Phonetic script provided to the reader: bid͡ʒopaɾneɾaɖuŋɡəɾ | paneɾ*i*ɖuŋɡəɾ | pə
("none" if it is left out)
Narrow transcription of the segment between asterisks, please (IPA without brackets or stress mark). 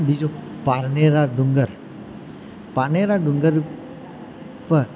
a